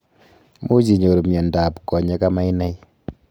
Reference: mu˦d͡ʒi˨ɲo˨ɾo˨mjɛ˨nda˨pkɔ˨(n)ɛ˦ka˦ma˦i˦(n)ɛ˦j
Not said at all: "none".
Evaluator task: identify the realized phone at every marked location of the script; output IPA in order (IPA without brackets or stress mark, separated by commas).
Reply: ɲ, n